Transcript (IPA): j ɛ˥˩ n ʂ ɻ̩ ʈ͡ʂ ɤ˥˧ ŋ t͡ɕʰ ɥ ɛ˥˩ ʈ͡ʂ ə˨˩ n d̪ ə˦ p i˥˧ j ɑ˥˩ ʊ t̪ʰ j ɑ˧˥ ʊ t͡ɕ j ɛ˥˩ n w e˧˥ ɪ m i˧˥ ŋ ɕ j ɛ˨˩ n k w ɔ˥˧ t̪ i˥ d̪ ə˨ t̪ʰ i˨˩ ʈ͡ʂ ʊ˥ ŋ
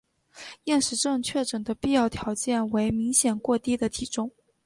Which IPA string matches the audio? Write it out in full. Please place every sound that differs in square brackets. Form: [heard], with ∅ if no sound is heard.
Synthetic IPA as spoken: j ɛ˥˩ n ʂ ɻ̩ ʈ͡ʂ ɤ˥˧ ŋ t͡ɕʰ ɥ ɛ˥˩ ʈ͡ʂ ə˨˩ n d̪ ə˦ p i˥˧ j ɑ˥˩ ʊ t̪ʰ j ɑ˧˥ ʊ t͡ɕ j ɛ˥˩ n w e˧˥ ɪ m i˧˥ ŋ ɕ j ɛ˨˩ n k w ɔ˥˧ t̪ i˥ d̪ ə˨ t̪ʰ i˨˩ ʈ͡ʂ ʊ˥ ŋ